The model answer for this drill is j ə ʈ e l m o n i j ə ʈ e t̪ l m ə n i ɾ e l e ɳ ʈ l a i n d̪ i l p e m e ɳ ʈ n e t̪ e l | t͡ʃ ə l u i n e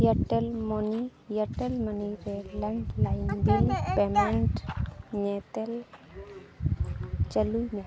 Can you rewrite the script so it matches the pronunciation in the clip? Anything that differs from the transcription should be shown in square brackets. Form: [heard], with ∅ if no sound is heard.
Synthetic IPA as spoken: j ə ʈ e l m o n i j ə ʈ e [∅] l m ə n i ɾ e l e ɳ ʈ l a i n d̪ i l p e m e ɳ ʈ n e t̪ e l | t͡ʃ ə l u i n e